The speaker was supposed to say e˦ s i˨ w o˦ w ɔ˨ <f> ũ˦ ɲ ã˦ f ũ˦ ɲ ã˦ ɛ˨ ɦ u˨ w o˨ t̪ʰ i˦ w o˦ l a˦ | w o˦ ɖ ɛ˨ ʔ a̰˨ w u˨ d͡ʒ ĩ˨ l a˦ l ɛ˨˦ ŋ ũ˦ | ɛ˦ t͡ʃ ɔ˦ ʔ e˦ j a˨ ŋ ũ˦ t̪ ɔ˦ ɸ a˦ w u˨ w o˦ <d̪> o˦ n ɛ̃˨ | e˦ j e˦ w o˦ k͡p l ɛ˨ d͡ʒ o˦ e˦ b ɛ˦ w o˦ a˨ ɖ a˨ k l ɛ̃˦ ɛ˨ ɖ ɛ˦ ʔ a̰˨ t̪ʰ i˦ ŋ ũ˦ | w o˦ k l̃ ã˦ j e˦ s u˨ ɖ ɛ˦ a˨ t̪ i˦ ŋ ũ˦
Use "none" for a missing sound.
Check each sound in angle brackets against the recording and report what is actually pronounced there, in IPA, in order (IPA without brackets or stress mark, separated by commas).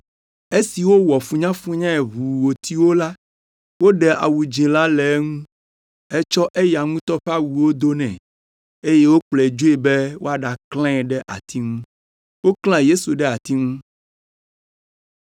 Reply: f, d̪